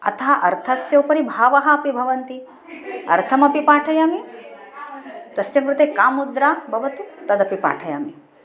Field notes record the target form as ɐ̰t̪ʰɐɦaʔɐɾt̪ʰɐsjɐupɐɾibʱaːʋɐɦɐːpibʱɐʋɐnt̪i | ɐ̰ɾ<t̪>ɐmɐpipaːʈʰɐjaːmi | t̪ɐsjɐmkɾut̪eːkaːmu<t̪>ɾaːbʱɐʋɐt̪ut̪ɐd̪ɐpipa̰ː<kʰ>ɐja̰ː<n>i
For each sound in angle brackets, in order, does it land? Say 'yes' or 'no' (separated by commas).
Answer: no, no, no, no